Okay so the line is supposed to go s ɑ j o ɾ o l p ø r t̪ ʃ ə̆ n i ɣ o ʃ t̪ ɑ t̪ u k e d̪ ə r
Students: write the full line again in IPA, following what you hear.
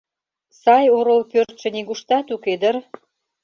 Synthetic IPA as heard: s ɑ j o ɾ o l p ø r t̪ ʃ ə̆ n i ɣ u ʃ t̪ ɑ t̪ u k e d̪ ə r